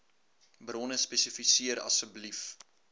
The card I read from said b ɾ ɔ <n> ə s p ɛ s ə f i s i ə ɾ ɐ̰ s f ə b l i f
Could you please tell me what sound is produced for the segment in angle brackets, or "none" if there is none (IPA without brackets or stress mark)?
n